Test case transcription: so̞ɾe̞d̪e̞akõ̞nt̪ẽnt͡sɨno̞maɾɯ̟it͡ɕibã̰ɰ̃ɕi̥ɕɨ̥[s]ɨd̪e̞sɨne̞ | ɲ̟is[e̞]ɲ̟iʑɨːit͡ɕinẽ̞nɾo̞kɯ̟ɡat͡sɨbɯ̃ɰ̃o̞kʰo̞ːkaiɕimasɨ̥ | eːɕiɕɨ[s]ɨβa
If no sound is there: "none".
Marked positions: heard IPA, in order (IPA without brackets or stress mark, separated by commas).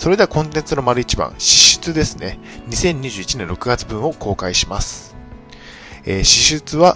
t͡s, ẽ̞, t͡s